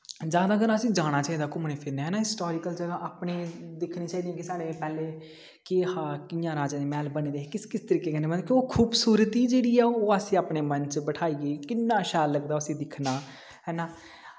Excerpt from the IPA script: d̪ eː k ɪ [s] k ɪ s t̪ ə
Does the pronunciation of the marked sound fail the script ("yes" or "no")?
no